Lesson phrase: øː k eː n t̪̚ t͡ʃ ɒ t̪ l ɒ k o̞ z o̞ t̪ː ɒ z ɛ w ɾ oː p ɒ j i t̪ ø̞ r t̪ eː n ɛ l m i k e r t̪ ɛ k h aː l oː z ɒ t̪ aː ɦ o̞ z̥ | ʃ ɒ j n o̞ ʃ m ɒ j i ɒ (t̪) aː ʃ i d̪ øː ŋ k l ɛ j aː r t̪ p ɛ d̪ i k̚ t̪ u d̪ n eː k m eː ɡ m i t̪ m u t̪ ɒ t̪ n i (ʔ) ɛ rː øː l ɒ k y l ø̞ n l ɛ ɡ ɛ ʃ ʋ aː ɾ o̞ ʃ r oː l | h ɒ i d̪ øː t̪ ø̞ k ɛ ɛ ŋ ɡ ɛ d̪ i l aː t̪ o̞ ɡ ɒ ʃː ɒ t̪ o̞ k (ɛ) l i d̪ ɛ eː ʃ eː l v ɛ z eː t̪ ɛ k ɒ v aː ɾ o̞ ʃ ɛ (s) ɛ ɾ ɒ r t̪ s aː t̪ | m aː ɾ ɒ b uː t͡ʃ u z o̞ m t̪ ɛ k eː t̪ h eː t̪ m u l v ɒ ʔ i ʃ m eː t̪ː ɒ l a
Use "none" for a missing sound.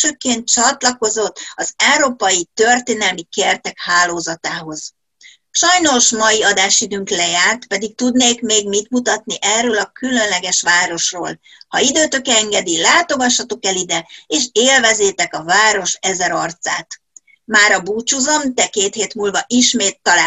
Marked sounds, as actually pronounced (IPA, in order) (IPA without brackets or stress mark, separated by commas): d̪, ʔ, ɛ, z